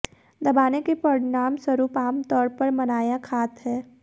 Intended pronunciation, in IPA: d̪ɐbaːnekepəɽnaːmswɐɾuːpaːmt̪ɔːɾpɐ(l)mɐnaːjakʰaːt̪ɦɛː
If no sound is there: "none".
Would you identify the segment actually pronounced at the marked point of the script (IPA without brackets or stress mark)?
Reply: ɾ